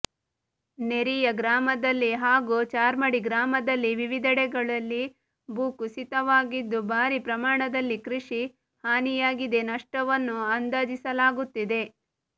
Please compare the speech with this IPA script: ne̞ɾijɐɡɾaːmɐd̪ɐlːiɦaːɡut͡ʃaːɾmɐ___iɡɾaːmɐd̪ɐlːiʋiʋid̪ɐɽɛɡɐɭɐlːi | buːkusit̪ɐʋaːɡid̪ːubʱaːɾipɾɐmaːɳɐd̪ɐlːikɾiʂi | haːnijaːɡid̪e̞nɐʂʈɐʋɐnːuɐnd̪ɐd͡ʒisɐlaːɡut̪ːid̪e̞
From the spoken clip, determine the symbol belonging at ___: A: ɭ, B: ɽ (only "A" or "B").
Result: B